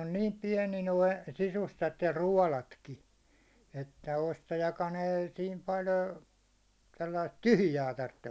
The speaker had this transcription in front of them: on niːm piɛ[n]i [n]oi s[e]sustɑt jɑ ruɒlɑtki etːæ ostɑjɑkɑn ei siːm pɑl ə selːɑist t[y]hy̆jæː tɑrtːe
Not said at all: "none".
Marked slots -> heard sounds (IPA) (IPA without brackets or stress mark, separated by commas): n, n, i, y